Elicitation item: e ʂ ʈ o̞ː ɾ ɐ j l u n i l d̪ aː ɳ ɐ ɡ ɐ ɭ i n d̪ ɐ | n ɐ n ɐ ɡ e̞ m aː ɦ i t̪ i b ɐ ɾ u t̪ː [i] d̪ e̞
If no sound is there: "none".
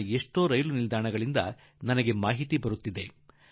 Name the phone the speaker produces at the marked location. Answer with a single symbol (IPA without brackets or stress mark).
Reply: i